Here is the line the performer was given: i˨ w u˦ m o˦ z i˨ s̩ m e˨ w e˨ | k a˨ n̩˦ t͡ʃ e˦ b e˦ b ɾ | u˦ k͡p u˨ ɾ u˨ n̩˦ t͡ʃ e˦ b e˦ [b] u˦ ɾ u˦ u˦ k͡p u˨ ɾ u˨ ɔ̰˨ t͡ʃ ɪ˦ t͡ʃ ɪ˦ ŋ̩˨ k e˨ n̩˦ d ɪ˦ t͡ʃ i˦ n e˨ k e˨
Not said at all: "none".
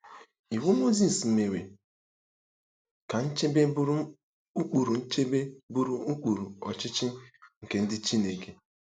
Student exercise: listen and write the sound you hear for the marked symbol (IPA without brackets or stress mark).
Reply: b